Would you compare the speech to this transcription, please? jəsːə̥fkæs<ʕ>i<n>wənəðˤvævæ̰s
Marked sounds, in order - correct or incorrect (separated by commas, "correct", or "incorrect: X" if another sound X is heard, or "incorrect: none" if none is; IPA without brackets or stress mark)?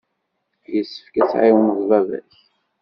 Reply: correct, incorrect: none